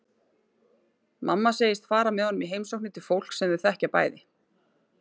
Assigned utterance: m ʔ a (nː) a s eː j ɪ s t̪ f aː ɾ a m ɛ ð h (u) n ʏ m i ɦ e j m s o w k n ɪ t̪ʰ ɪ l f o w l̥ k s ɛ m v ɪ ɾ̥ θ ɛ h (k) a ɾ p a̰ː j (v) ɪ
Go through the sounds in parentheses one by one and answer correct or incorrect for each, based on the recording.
incorrect, incorrect, incorrect, incorrect

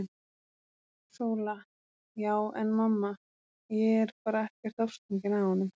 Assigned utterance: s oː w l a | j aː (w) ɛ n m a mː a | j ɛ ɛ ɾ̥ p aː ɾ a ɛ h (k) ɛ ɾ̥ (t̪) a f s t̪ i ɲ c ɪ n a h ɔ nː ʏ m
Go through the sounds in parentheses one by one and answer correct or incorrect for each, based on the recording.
correct, incorrect, correct

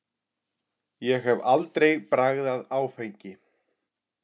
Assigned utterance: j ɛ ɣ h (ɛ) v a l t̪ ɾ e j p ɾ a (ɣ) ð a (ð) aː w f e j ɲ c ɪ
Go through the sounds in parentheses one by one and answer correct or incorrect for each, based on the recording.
correct, correct, correct

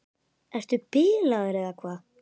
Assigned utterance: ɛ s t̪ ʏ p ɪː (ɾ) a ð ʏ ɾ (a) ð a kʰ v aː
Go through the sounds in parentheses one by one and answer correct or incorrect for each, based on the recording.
incorrect, incorrect

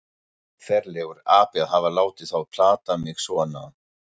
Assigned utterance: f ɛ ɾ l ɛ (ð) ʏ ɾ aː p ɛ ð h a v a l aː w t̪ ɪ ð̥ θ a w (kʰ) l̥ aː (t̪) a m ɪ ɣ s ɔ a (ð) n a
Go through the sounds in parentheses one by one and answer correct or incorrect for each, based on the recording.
incorrect, incorrect, correct, incorrect

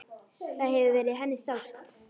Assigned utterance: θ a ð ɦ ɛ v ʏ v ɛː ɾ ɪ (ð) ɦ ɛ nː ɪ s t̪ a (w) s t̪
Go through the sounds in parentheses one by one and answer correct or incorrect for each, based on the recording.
correct, correct

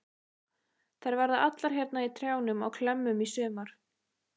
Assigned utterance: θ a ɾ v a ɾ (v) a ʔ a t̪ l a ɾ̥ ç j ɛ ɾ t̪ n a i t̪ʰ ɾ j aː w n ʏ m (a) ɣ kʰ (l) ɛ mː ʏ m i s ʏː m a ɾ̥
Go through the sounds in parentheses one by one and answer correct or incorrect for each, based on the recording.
incorrect, correct, correct

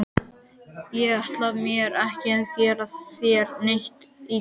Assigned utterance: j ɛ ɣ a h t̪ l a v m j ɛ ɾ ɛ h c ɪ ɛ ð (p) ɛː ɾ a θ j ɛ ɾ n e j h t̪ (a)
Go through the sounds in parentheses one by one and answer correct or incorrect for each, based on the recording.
incorrect, incorrect

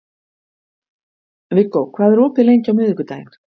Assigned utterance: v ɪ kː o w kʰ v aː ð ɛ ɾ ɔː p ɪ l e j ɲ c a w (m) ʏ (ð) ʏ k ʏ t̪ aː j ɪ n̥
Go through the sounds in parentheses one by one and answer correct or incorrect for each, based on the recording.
correct, correct

